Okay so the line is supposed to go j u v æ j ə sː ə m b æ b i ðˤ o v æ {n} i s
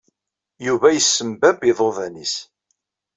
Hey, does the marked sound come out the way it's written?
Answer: yes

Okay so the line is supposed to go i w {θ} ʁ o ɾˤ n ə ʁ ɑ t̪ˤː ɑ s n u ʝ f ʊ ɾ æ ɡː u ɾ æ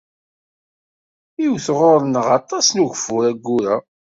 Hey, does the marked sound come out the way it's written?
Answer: yes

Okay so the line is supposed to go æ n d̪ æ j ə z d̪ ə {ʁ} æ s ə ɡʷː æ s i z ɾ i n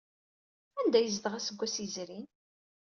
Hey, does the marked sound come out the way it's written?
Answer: yes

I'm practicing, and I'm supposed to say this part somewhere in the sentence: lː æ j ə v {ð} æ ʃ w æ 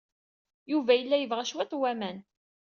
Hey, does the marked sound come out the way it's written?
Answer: no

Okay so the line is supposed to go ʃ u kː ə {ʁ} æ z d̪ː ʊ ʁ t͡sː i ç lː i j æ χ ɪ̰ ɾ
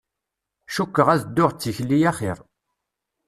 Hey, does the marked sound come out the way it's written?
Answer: yes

